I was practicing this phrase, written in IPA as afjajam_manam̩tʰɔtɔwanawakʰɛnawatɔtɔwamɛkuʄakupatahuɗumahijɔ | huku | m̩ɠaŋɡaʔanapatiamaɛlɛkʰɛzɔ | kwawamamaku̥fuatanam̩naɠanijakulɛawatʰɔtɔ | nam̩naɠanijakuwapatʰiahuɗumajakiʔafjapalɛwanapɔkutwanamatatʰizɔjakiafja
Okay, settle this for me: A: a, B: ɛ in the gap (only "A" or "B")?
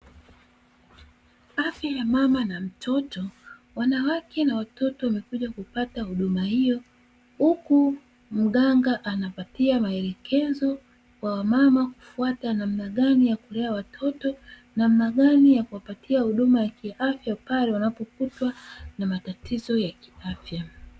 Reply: A